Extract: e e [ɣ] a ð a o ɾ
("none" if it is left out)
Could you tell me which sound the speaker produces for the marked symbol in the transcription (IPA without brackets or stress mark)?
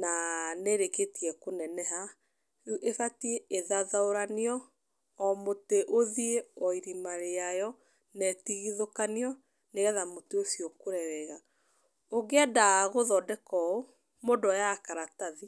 ð